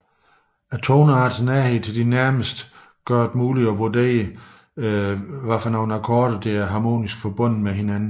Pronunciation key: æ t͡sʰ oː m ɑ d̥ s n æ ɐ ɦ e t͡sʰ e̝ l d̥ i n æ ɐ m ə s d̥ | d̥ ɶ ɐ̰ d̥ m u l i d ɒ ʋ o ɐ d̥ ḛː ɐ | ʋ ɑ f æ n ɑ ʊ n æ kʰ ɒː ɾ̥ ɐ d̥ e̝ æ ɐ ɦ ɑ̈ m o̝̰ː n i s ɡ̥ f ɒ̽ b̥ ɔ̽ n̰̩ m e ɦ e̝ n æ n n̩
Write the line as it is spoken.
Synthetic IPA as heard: æ t͡sʰ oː n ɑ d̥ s n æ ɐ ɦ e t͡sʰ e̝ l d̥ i n æ ɐ m ə s d̥ | ɡ̥ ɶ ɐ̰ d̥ m uː l i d ɒ ʋ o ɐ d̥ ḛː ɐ | ʋ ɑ f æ n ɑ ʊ n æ kʰ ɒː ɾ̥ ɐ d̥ e̝ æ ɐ ɦ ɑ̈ m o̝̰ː n i s ɡ̥ f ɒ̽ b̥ ɔ̽ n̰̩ m e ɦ e̝ n æ n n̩